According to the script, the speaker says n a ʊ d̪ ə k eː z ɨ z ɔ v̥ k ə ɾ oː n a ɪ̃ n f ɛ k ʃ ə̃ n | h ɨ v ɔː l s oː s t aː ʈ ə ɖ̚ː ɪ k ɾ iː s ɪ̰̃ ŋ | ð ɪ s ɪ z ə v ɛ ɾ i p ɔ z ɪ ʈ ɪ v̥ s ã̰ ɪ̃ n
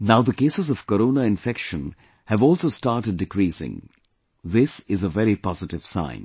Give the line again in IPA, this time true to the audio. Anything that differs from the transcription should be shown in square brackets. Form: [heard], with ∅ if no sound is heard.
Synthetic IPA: n a ʊ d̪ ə k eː [s] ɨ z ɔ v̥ k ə ɾ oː n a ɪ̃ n f ɛ k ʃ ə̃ n | h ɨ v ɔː l s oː s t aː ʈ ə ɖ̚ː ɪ k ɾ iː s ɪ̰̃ ŋ | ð ɪ s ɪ z ə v ɛ ɾ i p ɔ z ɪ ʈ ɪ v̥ s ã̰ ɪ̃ n